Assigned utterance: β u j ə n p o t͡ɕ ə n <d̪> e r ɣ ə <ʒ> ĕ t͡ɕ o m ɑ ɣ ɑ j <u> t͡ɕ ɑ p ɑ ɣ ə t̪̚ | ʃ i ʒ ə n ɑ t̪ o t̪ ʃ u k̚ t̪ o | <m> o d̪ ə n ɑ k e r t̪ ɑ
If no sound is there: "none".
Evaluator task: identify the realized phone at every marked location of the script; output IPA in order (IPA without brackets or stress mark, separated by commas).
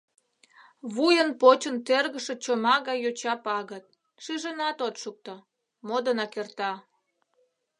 t̪, ʃ, o, m